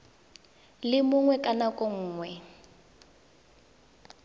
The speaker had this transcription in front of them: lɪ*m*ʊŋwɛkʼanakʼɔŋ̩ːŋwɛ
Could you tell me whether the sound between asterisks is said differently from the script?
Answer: no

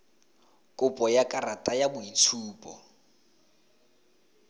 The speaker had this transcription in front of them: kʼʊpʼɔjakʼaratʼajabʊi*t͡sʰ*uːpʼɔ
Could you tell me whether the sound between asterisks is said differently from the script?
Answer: no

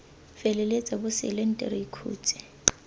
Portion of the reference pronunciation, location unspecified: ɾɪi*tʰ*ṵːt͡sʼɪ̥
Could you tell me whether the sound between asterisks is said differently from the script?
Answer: yes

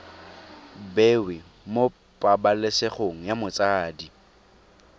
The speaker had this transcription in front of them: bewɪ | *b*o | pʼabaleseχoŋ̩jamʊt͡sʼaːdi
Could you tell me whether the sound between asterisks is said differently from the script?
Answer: yes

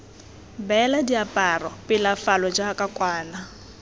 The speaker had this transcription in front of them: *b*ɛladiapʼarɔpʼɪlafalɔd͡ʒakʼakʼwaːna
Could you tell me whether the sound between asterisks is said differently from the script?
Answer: no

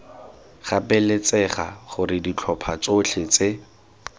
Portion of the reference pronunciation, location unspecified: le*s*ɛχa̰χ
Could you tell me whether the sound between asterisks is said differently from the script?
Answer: yes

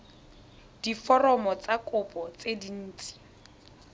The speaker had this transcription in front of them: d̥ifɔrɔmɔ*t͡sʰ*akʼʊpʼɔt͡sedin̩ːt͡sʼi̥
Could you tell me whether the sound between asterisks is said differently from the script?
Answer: yes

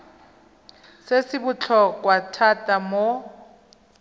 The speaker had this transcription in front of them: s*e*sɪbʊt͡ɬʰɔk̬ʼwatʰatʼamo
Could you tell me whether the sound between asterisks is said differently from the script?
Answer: no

